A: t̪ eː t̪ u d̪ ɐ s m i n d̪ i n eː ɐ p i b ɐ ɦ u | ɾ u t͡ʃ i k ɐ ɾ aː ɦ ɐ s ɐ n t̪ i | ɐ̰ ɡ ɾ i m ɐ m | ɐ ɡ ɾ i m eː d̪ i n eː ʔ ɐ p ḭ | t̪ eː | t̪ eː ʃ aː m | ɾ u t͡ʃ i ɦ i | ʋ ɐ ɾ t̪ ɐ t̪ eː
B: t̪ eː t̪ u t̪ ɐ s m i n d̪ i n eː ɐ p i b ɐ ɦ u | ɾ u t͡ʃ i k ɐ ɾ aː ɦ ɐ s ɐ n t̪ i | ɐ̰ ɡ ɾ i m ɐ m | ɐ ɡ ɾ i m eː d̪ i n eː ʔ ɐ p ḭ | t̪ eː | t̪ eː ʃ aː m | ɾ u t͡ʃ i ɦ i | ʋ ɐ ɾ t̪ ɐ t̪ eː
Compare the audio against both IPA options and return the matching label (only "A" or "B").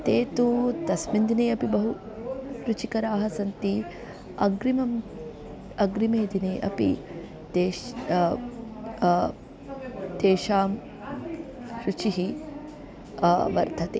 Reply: B